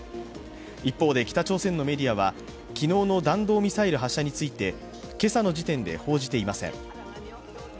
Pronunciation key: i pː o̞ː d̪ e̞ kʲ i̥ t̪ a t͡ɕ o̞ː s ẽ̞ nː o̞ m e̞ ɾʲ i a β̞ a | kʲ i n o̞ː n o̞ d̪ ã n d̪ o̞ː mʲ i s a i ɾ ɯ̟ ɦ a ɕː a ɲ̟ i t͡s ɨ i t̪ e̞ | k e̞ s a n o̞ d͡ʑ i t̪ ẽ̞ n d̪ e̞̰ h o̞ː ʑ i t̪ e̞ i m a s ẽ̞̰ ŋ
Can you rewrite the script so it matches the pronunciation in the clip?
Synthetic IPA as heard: i pː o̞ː d̪ e̞ kʲ i̥ t̪ a t͡ɕ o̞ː s ẽ̞ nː o̞ m e̞ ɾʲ i a β̞ a | kʲ i n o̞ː n o̞ d̪ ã n d̪ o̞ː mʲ i s a i ɾ ɯ̟ ɦ a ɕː a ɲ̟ i t͡s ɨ i t̪ e̞ | k e̞ s a n o̞ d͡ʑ i t̪ ẽ̞ n d̪ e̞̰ h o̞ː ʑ i t̪ e̞ i m a s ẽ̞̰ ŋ